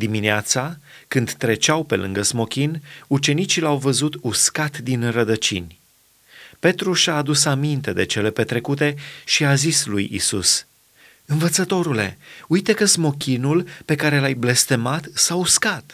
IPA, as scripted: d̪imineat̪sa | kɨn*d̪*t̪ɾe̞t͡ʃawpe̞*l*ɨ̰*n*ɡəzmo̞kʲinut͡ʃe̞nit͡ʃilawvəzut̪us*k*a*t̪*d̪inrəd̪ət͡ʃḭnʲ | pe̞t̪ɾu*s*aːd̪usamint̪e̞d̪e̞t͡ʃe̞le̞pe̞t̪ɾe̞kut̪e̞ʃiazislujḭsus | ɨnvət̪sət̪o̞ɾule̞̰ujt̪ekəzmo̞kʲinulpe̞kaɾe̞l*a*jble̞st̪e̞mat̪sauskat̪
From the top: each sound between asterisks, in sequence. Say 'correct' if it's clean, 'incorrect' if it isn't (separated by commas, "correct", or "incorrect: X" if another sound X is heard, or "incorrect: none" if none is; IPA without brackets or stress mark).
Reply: correct, correct, incorrect: ŋ, correct, correct, incorrect: ʃ, correct